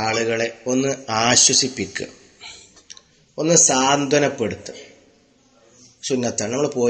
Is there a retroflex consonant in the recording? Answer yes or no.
yes